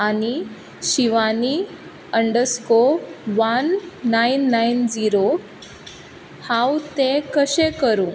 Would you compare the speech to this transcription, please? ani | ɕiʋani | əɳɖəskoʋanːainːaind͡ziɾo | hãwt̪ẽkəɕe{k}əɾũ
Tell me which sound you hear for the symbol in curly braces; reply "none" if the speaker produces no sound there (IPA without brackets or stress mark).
k